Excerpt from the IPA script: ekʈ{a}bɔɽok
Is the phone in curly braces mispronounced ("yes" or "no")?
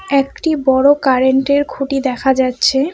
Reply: yes